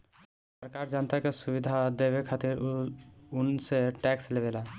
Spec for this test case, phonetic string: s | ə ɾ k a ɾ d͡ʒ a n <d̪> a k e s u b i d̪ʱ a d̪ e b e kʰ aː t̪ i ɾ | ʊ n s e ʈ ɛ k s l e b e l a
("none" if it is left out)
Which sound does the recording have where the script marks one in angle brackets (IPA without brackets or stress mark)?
t̪